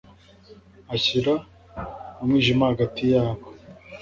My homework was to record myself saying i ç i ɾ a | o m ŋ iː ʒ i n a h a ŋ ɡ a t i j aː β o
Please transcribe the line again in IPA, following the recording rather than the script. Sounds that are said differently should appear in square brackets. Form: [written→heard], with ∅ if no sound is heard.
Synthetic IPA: [i→a] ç i ɾ a | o m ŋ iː ʒ i [n→m] a h a [ŋ→∅] ɡ a t i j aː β o

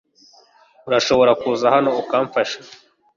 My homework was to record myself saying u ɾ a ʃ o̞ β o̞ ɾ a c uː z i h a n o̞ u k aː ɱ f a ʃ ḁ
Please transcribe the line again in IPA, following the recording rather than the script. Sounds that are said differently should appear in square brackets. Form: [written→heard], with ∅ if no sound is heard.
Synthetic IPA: u ɾ a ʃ o̞ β o̞ ɾ a [c→k] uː z [i→a] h a n o̞ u k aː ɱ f a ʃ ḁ

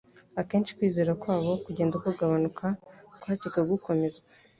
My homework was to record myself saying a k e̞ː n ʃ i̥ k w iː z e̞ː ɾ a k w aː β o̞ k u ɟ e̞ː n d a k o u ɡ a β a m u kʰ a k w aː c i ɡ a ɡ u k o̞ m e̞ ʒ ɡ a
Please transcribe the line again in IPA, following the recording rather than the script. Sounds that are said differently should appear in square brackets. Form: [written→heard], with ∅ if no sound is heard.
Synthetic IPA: a k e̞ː n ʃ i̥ k w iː z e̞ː ɾ a k w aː β o̞ k u ɟ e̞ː n d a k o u ɡ a β a [m→n] u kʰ a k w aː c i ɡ a ɡ u k o̞ m e̞ [ʒ→z] ɡ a

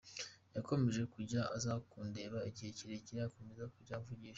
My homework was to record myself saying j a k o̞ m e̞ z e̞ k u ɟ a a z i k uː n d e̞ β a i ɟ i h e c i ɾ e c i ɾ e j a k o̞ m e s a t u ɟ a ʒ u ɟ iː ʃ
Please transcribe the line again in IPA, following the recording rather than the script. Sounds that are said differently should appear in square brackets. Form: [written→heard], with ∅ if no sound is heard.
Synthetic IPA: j a k o̞ m e̞ [z→ʒ] e̞ k u ɟ a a z [i→a] k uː n d e̞ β a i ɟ i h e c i ɾ e c i ɾ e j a k o̞ m e [s→z] a [t→k] u ɟ a [ʒ→v] u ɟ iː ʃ

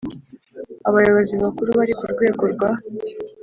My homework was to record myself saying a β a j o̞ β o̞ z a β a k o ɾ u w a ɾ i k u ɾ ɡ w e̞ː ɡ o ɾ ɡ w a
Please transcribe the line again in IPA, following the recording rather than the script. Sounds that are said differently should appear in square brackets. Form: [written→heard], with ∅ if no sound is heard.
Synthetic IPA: a β a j o̞ β o̞ z [a→i] β a k [o→u] ɾ u [w→β] a ɾ i k u ɾ ɡ w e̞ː ɡ o ɾ ɡ w a

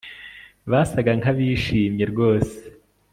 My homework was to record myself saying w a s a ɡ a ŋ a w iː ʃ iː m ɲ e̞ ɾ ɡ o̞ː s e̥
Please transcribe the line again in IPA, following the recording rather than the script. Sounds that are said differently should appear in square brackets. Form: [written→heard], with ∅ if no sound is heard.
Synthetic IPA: [w→β] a s a ɡ a ŋ a [w→β] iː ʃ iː m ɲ e̞ ɾ ɡ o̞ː s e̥

